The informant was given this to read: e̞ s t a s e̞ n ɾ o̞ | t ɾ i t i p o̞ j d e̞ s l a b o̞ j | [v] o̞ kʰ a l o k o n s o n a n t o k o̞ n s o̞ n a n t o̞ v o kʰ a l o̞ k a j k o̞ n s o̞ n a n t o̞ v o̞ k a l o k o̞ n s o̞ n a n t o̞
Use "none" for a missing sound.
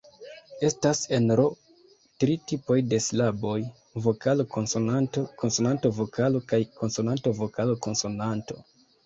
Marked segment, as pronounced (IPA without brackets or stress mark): v